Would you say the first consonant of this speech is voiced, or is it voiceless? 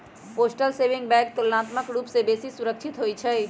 voiceless